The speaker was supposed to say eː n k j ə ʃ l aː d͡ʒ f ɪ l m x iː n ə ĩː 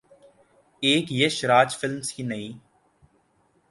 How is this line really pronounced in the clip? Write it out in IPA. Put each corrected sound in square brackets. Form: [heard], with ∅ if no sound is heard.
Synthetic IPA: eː [∅] k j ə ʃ [ɾ] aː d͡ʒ f ɪ l m [s] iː n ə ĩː